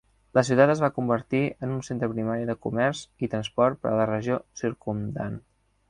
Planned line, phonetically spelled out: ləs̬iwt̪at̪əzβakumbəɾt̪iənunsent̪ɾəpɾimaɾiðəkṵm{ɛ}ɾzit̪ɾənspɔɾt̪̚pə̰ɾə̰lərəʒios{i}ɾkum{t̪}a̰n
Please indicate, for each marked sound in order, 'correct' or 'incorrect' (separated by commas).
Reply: correct, correct, incorrect